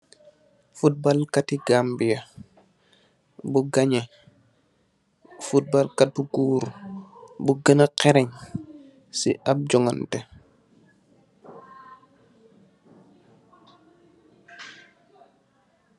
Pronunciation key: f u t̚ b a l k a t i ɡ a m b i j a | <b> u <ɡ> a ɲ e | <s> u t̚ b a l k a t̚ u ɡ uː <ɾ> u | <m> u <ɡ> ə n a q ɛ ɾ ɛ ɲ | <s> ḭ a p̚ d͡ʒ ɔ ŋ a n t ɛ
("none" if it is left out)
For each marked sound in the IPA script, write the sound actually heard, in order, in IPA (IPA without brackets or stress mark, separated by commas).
b, ɡ, f, ɾ, b, ɡ, s